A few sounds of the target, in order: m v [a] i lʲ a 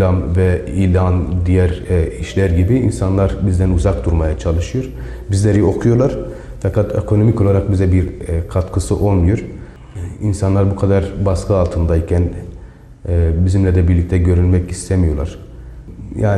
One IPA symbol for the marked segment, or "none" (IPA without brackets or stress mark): ɛ